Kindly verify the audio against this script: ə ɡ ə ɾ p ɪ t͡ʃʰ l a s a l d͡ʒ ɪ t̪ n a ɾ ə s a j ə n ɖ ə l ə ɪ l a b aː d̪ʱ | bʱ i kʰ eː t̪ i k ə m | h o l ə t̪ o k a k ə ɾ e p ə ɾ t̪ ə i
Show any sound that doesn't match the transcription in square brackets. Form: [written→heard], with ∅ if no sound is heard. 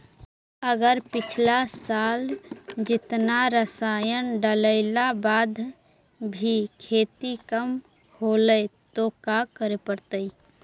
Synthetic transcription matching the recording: ə ɡ ə ɾ p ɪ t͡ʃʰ l a s a l d͡ʒ ɪ t̪ n a ɾ ə s a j ə n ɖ ə l ə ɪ l a b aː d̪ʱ | bʱ i kʰ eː t̪ i k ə m | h o l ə t̪ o k a k ə ɾ e p ə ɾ t̪ ə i